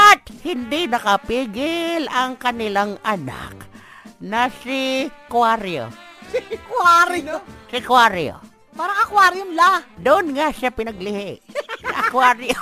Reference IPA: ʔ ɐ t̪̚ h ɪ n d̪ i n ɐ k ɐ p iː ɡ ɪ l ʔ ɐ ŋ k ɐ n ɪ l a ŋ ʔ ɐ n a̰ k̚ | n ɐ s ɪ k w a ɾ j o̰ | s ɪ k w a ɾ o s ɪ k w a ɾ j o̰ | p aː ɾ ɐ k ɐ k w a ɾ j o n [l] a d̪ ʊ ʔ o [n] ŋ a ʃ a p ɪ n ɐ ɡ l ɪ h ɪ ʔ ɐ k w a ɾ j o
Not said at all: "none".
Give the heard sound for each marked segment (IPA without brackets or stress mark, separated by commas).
l, n